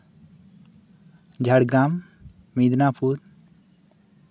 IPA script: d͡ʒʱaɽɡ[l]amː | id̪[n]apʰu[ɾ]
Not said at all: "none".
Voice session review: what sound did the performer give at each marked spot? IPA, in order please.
ɾ, n, ɾ

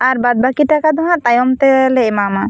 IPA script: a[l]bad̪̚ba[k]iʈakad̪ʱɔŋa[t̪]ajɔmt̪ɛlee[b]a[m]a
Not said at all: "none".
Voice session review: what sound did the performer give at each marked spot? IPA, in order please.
ɾ, k, t̪, m, m

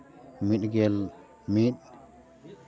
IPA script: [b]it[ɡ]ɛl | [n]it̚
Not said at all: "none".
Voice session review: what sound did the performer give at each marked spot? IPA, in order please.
m, ɡ, m

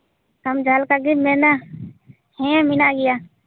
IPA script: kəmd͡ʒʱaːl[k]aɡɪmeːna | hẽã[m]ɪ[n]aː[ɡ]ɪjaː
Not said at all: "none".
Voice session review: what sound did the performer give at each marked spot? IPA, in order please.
k, m, n, ɡ

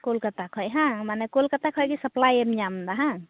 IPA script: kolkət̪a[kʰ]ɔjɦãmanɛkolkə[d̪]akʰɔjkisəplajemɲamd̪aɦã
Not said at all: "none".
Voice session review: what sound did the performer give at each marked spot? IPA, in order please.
kʰ, t̪

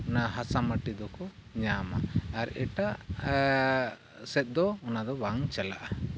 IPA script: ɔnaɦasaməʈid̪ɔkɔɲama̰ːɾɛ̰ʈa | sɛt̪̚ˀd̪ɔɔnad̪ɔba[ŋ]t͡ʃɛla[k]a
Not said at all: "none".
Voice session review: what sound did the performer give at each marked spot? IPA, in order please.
ŋ, ʔ

